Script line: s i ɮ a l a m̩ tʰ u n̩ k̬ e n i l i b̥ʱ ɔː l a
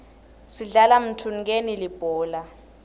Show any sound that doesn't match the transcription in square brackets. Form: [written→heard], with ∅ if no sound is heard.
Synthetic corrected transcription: s i ɮ a l a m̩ tʰ u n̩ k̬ e n i l i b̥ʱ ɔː l a